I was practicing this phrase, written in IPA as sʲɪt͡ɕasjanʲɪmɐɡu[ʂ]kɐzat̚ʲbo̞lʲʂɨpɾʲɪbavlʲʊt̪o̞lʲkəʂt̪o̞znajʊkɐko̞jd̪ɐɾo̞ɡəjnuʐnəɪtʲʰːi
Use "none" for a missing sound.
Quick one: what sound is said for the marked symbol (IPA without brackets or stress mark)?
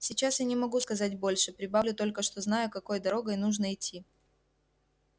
s